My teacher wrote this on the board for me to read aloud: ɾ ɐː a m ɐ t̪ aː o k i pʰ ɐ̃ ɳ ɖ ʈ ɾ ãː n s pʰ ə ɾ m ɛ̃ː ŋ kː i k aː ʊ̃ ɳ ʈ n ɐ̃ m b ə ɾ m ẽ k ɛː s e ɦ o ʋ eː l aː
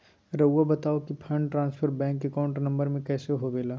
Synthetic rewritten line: ɾ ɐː a b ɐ t̪ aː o k i pʰ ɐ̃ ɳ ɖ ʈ ɾ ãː n s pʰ ə ɾ b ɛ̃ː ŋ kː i k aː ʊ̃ ɳ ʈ n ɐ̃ m b ə ɾ m ẽ k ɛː s e ɦ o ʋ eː l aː

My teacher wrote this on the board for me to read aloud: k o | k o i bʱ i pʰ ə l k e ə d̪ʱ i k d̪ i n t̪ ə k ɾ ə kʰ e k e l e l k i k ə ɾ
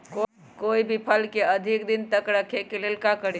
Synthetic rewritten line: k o | k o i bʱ i pʰ ə l k e ə d̪ʱ i k d̪ i n t̪ ə k ɾ ə kʰ e k e l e l k a k ə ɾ

